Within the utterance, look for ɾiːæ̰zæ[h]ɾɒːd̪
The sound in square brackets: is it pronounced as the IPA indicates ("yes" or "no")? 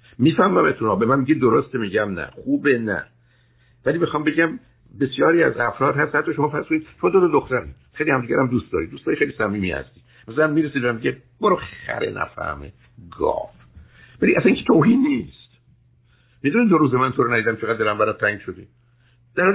no